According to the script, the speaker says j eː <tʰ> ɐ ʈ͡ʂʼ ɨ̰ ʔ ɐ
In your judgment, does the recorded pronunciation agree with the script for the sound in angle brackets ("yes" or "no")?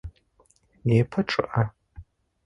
no